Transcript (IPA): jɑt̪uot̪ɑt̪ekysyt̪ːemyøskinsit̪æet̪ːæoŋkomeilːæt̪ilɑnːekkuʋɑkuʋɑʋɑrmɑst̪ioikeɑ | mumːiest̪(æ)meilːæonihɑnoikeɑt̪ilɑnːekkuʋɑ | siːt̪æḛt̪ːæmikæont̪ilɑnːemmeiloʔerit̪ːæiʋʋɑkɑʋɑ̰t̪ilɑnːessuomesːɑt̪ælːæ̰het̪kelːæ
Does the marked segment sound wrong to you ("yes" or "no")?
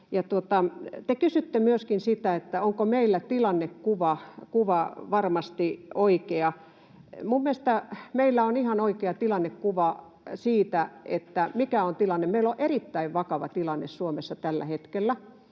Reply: no